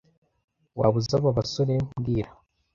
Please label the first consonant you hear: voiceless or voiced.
voiced